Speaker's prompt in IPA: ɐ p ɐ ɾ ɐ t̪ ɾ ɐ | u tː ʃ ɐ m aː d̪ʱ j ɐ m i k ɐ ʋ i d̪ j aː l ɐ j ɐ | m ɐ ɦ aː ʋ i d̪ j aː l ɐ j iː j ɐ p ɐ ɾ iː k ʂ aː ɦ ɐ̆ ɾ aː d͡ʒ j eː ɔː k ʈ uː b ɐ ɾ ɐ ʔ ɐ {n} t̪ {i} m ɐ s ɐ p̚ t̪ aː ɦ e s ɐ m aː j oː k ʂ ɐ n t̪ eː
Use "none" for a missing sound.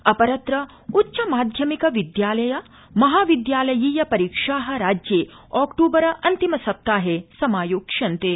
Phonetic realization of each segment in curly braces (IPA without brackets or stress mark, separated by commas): n, i